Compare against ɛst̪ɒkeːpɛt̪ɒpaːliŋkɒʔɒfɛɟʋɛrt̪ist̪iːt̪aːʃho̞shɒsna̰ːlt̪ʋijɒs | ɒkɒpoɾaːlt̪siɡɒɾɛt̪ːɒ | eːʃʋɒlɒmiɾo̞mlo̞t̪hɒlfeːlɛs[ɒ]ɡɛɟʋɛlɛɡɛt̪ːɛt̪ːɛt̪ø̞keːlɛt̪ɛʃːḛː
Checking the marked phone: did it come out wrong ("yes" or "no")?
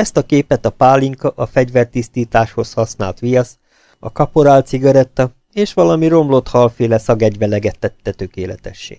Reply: no